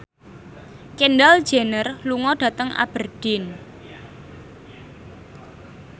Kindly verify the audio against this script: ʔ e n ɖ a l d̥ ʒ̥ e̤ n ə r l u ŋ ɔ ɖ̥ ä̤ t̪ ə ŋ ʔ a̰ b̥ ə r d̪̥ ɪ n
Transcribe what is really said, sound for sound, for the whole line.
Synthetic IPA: k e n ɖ a l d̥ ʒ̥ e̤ n ə r l u ŋ ɔ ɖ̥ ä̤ t̪ ə ŋ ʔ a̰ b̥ ə r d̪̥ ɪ n